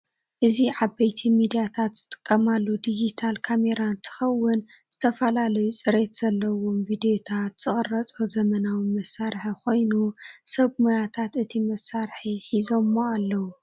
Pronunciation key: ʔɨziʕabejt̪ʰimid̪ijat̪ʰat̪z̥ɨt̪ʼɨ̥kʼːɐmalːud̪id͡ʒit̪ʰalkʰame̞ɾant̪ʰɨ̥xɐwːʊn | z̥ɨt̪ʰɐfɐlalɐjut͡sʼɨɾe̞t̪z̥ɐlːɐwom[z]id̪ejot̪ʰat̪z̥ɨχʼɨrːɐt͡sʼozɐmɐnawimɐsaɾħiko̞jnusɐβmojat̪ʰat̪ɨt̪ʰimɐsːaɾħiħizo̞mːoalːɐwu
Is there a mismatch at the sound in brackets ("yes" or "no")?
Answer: yes